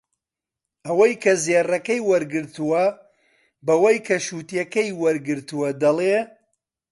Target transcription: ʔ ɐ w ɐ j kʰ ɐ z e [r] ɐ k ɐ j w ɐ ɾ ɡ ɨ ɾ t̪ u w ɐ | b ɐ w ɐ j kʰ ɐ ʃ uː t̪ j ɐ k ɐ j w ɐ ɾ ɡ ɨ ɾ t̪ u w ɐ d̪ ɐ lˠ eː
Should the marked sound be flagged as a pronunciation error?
no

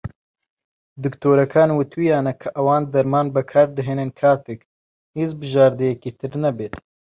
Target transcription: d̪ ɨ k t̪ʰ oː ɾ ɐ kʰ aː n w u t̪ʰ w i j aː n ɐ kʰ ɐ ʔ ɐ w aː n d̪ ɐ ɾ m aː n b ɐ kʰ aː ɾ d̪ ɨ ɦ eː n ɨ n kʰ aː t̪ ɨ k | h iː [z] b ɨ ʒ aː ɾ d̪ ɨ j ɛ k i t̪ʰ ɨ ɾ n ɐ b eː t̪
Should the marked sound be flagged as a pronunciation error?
no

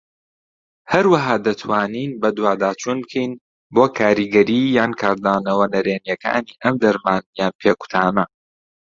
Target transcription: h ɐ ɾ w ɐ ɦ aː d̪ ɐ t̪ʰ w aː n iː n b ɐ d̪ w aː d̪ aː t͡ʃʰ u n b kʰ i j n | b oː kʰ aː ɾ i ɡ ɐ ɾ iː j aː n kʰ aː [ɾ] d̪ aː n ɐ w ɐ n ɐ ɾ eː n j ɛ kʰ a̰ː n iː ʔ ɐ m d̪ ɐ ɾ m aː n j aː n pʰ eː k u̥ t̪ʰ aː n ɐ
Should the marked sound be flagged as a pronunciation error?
no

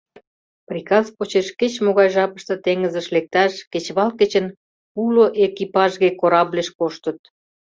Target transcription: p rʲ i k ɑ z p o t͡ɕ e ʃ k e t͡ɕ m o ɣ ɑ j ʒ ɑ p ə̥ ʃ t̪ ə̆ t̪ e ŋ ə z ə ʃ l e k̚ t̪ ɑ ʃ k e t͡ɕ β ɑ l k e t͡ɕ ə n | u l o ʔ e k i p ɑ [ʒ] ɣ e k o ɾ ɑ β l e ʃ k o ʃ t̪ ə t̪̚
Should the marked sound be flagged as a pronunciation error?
no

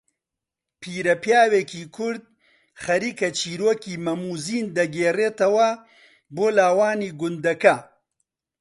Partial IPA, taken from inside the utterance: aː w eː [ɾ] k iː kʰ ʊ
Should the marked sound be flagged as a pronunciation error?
yes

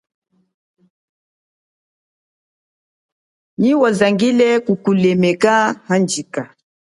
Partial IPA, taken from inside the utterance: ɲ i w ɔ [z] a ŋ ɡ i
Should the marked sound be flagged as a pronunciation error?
no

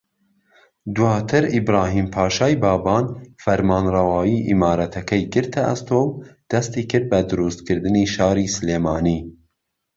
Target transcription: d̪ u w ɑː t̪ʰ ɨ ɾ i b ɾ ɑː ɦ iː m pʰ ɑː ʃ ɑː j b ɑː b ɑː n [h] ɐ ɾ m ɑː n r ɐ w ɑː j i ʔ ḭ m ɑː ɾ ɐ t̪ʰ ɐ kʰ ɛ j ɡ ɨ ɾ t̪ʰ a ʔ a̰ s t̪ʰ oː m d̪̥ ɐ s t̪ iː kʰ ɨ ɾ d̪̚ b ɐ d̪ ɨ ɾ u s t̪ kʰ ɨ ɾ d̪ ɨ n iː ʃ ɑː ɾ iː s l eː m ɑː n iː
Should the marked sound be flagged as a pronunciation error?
yes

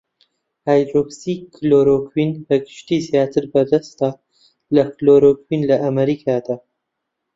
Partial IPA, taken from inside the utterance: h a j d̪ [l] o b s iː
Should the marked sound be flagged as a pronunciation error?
yes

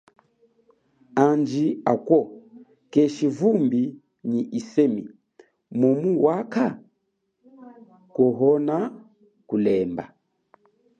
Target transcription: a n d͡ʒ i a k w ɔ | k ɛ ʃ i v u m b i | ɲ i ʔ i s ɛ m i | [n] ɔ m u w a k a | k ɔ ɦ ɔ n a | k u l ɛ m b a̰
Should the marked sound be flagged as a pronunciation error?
yes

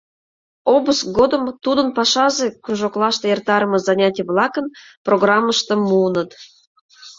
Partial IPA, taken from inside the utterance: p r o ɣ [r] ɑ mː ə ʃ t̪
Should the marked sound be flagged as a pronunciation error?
no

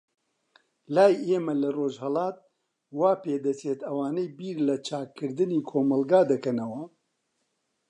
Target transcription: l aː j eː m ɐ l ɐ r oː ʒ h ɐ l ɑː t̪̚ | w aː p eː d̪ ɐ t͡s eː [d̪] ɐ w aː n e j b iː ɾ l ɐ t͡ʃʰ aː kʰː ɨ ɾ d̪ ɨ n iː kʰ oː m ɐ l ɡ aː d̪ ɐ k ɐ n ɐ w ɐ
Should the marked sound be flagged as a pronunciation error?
yes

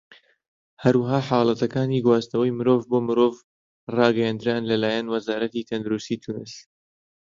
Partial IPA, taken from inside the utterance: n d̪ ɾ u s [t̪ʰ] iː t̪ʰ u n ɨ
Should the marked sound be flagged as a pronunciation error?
yes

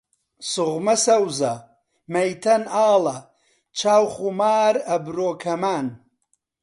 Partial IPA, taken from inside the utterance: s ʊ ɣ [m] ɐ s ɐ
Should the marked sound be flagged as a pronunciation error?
no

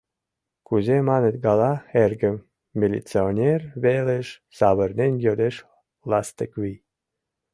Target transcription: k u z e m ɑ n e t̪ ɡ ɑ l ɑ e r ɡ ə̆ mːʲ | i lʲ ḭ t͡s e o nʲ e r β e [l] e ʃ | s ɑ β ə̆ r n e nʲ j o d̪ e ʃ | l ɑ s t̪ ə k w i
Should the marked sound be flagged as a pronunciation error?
no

